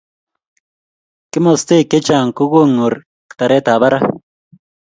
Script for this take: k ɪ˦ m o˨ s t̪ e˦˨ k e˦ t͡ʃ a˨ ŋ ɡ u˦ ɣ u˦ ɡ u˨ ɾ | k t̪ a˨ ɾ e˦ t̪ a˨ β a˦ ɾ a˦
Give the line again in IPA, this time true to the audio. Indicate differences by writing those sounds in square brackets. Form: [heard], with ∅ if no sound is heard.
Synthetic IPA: k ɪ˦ m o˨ s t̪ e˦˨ k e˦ t͡ʃ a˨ ŋ [k] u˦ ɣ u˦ [ŋ] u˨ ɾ | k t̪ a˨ ɾ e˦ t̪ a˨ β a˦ ɾ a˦